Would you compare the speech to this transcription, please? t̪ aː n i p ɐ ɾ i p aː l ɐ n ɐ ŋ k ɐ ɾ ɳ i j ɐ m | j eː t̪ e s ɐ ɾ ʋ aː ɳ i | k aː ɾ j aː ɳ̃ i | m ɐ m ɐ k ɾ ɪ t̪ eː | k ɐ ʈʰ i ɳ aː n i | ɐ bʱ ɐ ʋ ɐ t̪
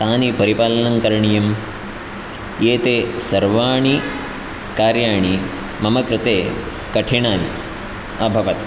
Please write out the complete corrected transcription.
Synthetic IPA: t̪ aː n i p ɐ ɾ i p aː l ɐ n ɐ ŋ k ɐ ɾ ɳ i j ɐ m | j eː t̪ e s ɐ ɾ ʋ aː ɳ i | k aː ɾ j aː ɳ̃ i | m ɐ m ɐ k ɾ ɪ t̪ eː | k ɐ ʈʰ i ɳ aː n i | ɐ bʱ ɐ ʋ ɐ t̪